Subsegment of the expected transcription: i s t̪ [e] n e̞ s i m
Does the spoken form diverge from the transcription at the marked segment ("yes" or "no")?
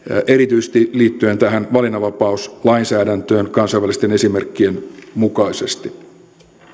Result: no